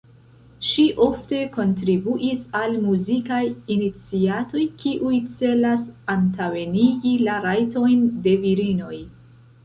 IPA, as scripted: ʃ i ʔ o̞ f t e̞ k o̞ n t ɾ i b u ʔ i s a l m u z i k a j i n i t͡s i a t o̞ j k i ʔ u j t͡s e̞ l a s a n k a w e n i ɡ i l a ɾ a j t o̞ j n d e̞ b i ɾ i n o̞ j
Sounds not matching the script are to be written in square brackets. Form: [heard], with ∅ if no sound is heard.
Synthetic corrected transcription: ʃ i ʔ o̞ f t e̞ k o̞ n t ɾ i b u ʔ i s a l m u z i k a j i n i t͡s i a t o̞ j k i ʔ u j t͡s e̞ l a s a n [t] a w e n i ɡ i l a ɾ a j t o̞ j n d e̞ [v] i ɾ i n o̞ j